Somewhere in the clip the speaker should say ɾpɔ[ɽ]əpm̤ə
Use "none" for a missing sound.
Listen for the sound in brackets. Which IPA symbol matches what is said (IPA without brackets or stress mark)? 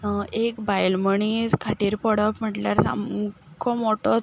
ɽ